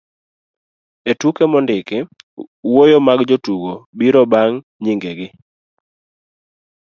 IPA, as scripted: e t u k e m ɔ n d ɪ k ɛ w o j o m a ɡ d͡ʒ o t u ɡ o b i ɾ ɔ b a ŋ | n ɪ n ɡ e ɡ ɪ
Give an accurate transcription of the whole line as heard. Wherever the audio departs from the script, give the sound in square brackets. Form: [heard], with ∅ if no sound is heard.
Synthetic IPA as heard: e t u k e m ɔ n d ɪ k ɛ w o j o m a ɡ d͡ʒ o t u ɡ o b i ɾ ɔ b a ŋ | [ɲ] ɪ [ŋ] ɡ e ɡ ɪ

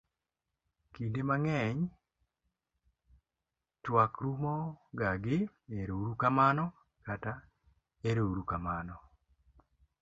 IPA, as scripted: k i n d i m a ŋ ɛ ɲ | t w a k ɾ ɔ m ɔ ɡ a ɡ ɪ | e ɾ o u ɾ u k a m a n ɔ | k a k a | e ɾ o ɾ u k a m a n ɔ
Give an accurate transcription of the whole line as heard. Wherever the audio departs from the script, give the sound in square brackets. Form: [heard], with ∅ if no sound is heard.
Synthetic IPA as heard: k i n d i m a ŋ ɛ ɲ | t w a k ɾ [u] m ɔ ɡ a ɡ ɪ | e ɾ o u ɾ u k a m a n ɔ | k a [t] a | e ɾ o ɾ u k a m a n ɔ

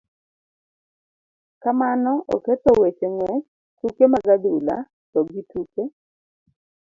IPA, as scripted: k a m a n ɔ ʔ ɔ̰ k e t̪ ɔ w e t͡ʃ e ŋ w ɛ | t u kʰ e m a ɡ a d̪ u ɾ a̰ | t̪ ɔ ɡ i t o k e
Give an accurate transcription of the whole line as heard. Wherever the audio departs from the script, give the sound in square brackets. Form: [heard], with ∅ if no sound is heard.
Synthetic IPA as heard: k a m a n ɔ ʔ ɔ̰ k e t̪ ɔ w e t͡ʃ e ŋ w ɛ | t u [k] e m a ɡ a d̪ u [l] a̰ | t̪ ɔ ɡ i t [u] k e

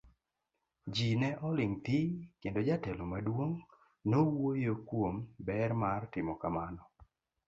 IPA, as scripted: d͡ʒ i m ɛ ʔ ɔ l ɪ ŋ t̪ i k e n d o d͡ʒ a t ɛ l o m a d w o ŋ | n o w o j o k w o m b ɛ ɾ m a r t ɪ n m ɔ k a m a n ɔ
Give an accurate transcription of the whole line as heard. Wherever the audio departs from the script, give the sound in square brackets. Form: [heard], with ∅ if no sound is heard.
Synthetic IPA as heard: d͡ʒ i [n] ɛ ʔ ɔ l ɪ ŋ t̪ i k e n d o d͡ʒ a t ɛ l o m a d w o ŋ | n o w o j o k w o m b ɛ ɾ m a r t ɪ [∅] m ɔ k a m a n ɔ

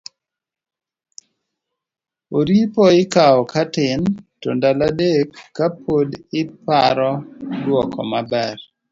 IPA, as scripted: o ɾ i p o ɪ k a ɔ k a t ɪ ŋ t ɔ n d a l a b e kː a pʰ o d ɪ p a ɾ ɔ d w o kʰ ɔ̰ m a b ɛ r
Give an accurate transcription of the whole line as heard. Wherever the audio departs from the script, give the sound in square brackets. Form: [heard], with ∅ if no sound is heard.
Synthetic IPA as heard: o ɾ i p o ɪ k a ɔ k a t ɪ [n] t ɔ n d a l a [d] e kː a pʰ o d ɪ p a ɾ ɔ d w [ɔ] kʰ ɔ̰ m a b ɛ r

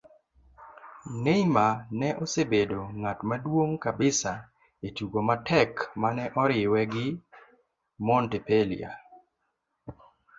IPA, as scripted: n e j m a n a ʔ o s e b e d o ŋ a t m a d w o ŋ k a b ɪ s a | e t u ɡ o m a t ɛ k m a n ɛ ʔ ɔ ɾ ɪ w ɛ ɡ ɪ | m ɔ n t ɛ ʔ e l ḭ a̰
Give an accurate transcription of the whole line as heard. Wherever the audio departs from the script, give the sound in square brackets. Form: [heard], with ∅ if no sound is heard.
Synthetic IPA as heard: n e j m a n [ɛ] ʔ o s e b e d o ŋ a t m a d w o ŋ k a b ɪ s a | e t u ɡ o m a t ɛ k m a n ɛ ʔ ɔ ɾ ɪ w ɛ ɡ ɪ | m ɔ n t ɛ [p] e l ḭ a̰

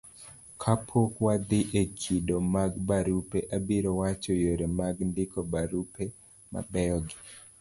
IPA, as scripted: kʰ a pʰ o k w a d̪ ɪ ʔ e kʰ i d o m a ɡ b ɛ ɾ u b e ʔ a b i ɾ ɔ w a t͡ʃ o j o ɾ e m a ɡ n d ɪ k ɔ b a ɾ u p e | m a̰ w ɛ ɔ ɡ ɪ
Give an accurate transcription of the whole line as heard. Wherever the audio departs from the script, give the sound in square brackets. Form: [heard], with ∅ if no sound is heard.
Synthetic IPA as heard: kʰ a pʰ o k w a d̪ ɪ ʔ e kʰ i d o m a ɡ b [a] ɾ u [p] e ʔ a b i ɾ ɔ w a t͡ʃ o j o ɾ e m a ɡ n d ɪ k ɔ b a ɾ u p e | m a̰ [b] ɛ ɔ ɡ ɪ

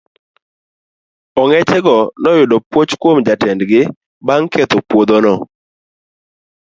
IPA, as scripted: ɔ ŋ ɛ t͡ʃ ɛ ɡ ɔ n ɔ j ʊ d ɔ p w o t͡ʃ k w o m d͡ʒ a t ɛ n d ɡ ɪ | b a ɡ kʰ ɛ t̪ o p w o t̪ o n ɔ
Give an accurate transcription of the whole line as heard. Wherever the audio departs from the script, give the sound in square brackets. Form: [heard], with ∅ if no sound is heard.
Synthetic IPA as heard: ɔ ŋ ɛ t͡ʃ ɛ ɡ ɔ n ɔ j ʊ d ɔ p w o t͡ʃ k w o m d͡ʒ a t ɛ n d ɡ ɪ | b a [ŋ] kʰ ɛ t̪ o p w o [d̪] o n ɔ

